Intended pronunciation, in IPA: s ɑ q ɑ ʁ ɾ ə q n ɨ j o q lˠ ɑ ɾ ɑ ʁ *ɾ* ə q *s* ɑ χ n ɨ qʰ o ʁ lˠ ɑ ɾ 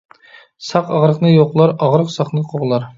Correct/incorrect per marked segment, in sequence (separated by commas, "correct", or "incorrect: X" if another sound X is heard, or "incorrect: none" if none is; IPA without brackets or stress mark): correct, correct